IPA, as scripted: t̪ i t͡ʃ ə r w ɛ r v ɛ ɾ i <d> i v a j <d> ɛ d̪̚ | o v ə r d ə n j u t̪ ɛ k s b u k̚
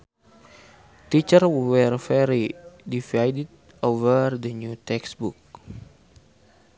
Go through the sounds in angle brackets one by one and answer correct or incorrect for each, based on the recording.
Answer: correct, correct

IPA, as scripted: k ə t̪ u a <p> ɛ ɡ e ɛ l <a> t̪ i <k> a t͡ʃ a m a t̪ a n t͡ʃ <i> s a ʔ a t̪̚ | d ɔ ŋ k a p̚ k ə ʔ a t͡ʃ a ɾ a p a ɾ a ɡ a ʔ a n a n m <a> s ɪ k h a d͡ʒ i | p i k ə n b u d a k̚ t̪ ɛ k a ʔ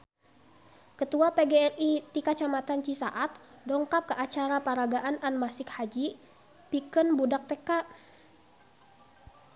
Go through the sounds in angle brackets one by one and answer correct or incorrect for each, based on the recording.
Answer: correct, incorrect: i, correct, correct, correct

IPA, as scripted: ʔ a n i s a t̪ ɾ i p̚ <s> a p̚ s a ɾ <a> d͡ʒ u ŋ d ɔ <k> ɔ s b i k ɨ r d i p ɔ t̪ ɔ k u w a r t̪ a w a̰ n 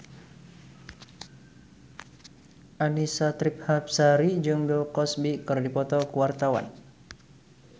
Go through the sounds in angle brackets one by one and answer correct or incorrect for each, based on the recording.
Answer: incorrect: h, incorrect: i, correct

